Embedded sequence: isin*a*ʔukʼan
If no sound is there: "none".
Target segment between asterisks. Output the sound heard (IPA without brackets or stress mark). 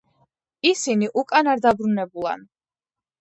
i